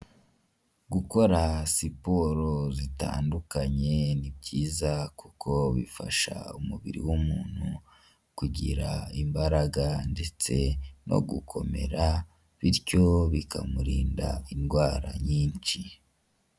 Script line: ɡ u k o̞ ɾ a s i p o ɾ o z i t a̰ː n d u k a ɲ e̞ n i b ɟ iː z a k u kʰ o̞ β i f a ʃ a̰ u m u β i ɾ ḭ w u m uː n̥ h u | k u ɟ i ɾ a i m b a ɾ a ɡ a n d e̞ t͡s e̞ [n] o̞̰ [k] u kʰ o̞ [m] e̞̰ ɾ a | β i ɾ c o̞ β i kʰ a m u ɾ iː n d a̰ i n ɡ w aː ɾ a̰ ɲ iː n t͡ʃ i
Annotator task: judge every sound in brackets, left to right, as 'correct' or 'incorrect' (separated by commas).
correct, incorrect, correct